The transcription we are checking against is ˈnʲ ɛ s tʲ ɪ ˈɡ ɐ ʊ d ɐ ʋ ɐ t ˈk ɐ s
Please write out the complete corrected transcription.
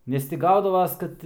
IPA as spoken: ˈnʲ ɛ s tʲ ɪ ˈɡ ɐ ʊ d ɐ ʋ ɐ s ˈk ɐ t